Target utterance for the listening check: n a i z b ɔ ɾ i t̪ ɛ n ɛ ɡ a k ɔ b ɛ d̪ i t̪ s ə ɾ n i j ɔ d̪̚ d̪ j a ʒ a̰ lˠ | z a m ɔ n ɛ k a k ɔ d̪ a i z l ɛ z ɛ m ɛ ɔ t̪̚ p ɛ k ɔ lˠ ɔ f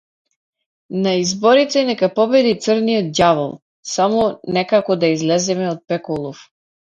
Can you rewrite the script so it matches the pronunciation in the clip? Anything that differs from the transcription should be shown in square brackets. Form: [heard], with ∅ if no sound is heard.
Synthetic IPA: n a i z b ɔ ɾ i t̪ ɛ n ɛ [k] a [p] ɔ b ɛ d̪ i t̪ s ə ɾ n i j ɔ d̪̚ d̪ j a [v] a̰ lˠ | [s] a m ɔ n ɛ k a k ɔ d̪ a i z l ɛ z ɛ m ɛ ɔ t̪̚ p ɛ k ɔ lˠ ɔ f